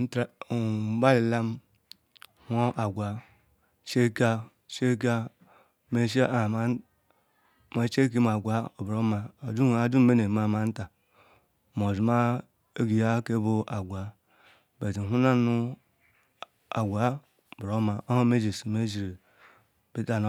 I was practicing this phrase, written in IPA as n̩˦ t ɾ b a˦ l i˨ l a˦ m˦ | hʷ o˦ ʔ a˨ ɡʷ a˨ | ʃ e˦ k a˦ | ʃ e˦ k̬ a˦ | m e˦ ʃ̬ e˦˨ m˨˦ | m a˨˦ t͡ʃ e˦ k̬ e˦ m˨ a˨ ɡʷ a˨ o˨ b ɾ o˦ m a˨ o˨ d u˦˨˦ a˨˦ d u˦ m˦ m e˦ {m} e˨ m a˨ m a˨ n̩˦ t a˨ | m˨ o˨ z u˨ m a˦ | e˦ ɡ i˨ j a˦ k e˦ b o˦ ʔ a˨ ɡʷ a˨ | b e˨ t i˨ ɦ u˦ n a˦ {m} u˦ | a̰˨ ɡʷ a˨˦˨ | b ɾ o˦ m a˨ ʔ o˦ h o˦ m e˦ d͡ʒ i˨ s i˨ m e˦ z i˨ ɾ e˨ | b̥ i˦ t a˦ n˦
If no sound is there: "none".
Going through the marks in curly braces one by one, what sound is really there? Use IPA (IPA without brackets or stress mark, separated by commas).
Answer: n, n